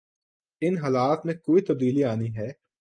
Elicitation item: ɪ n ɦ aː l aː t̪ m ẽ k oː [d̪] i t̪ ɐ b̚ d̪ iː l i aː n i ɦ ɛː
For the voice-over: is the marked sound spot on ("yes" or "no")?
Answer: no